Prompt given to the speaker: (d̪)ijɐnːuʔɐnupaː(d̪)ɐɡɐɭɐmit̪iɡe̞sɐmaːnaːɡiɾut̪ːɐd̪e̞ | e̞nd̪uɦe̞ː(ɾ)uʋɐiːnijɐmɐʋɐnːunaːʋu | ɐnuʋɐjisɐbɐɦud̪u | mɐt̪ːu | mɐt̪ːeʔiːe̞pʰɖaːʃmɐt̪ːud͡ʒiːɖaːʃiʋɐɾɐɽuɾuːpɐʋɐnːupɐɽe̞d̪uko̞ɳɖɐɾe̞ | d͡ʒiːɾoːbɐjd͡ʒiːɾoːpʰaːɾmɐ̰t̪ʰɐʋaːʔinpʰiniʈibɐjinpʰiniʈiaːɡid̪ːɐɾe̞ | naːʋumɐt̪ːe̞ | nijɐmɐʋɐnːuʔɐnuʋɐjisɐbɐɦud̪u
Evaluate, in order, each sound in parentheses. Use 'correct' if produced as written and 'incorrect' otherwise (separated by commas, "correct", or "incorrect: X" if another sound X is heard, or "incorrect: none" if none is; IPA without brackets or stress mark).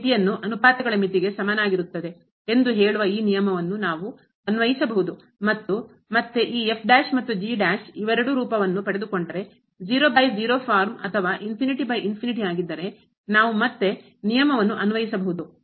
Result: incorrect: t̪, incorrect: t̪, incorrect: ɭ